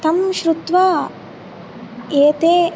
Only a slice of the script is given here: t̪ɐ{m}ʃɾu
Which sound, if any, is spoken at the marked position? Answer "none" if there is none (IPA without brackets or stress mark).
m